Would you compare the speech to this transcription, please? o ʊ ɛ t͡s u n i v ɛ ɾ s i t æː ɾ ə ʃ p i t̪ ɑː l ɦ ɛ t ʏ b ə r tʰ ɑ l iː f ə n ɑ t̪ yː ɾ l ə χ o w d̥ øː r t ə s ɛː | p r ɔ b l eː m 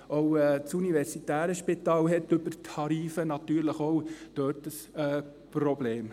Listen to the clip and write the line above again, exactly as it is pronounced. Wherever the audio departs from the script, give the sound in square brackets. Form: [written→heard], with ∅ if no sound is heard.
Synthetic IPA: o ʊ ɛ t͡s u n i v ɛ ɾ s i t æː ɾ ə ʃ p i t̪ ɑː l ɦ ɛ t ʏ b ə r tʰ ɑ [l→ɾ] iː f ə n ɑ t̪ yː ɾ l ə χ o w d̥ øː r t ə s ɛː | p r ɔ b l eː m